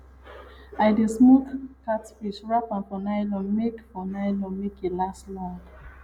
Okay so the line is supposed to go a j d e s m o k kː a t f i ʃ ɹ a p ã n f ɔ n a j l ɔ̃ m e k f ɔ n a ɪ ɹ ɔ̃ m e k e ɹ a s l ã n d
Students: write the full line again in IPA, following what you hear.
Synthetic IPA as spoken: a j d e s m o k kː a t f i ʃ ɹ a p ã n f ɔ n a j l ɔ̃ m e k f ɔ n a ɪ l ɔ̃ m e k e l a s l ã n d